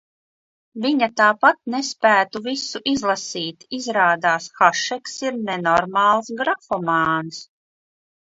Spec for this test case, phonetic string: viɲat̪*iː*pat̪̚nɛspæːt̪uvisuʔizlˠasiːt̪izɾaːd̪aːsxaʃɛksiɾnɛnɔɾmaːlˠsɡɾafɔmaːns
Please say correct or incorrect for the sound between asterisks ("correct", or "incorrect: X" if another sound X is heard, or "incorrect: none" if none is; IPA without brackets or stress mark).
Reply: incorrect: aː